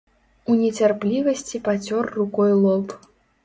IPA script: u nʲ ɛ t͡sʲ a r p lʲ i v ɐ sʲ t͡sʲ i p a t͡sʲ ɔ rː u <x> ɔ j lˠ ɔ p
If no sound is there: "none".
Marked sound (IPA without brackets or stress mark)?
k